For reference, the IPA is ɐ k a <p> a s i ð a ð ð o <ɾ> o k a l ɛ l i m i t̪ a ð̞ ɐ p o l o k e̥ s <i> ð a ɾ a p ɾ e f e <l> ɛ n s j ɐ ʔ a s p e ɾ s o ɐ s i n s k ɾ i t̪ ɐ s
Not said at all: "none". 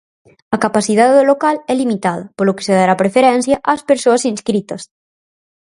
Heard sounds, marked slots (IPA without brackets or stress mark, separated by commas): p, l, e, ɾ